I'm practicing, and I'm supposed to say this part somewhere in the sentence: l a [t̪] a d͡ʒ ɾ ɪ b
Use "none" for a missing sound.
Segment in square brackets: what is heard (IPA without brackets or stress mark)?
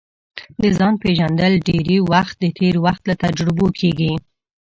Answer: t̪